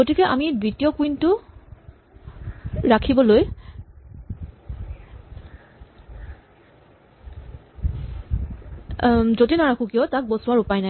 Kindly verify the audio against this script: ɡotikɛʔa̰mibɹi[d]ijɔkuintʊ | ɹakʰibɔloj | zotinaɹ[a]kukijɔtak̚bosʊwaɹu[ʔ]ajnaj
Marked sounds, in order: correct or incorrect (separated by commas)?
incorrect, correct, incorrect